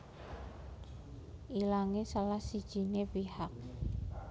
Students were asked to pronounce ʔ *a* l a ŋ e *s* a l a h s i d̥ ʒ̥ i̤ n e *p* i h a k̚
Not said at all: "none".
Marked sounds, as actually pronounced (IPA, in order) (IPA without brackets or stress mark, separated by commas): i, s, p